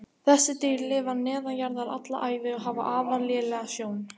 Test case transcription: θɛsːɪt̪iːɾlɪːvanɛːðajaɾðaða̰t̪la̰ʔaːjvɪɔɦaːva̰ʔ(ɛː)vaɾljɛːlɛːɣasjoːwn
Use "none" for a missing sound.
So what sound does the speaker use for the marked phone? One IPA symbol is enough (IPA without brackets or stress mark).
aː